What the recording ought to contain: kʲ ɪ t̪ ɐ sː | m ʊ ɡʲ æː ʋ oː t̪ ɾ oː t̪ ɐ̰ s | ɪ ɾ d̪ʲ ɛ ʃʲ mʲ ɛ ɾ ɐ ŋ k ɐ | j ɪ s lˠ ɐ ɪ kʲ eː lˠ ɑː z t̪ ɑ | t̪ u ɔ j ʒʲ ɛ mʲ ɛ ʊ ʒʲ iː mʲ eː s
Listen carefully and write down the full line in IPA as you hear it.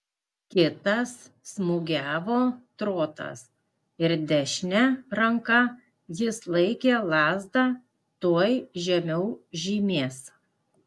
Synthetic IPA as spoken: kʲ ɪ t̪ ɐ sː | m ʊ ɡʲ æː ʋ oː t̪ ɾ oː t̪ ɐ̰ s | ɪ ɾ d̪ʲ ɛ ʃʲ nʲ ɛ ɾ ɐ ŋ k ɐ | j ɪ s lˠ ɐ ɪ kʲ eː lˠ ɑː z d̪ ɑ | t̪ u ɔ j ʒʲ ɛ mʲ ɛ ʊ ʒʲ iː mʲ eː s

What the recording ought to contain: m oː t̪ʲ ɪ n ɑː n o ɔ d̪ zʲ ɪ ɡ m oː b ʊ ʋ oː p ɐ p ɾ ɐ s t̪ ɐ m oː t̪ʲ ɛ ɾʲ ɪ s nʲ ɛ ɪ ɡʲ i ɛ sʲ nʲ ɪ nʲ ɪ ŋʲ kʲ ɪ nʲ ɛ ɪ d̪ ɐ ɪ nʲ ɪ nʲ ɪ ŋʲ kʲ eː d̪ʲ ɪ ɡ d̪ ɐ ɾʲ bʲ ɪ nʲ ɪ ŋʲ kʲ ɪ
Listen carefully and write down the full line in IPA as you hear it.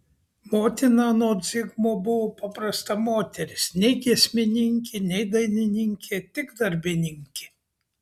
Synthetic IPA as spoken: m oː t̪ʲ ɪ n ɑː n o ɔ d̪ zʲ ɪ ɡ m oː b ʊ ʋ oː p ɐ p ɾ ɐ s t̪ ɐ m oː t̪ʲ ɛ ɾʲ ɪ s nʲ ɛ ɪ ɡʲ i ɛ sʲ mʲ ɪ nʲ ɪ ŋʲ kʲ ɪ nʲ ɛ ɪ d̪ ɐ ɪ nʲ ɪ nʲ ɪ ŋʲ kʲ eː t̪ʲ ɪ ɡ d̪ ɐ ɾʲ bʲ ɪ nʲ ɪ ŋʲ kʲ ɪ

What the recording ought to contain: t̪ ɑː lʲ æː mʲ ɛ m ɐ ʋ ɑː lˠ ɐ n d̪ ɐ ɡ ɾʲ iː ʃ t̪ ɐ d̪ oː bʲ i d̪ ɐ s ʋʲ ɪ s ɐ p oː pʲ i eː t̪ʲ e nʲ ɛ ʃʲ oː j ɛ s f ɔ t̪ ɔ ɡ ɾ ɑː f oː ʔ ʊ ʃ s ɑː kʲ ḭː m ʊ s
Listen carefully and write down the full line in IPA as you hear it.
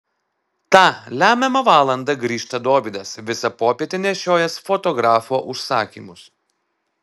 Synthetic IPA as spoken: t̪ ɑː lʲ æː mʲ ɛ m ɐ ʋ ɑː lˠ ɐ n d̪ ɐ ɡ ɾʲ iː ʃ t̪ ɐ d̪ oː bʲ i d̪ ɐ s ʋʲ ɪ s ɐ p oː pʲ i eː t̪ʲ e nʲ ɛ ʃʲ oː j ɛ s f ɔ t̪ ɔ ɡ ɾ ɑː f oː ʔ ʊ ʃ s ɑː kʲ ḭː m ʊ s

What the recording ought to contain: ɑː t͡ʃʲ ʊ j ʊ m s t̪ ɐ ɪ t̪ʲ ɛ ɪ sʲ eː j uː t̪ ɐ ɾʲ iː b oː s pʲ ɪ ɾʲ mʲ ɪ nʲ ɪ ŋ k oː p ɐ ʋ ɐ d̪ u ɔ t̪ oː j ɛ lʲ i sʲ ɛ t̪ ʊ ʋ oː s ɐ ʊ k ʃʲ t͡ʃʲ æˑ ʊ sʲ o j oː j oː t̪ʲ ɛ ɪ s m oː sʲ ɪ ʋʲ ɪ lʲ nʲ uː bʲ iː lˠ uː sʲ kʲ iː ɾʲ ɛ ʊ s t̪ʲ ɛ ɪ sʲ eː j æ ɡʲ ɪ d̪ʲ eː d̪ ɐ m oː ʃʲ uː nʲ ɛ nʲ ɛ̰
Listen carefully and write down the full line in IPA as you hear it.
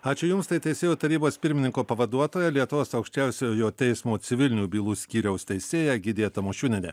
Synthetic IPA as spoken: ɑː t͡ʃʲ ʊ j ʊ m s t̪ ɐ ɪ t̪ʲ ɛ ɪ sʲ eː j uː t̪ ɐ ɾʲ iː b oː s pʲ ɪ ɾʲ mʲ ɪ nʲ ɪ ŋ k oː p ɐ ʋ ɐ d̪ u ɔ t̪ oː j ɛ lʲ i ɛ t̪ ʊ ʋ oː s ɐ ʊ k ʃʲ t͡ʃʲ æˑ ʊ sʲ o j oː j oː t̪ʲ ɛ ɪ s m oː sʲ ɪ ʋʲ ɪ lʲ nʲ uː bʲ iː lˠ uː sʲ kʲ iː ɾʲ ɛ ʊ s t̪ʲ ɛ ɪ sʲ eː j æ ɡʲ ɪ d̪ʲ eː t̪ ɐ m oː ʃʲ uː nʲ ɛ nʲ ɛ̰

